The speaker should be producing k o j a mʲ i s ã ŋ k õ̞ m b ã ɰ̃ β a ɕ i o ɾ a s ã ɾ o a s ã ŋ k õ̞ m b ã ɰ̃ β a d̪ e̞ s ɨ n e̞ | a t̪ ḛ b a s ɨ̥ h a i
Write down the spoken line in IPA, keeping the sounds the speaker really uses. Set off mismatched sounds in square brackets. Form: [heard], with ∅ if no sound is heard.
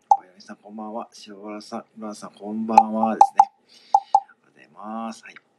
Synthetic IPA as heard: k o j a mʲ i s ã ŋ k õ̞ m b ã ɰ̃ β a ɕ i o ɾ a s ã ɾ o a s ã ŋ k õ̞ m b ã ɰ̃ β a d̪ e̞ s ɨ n e̞ | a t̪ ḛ [m] a s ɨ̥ h a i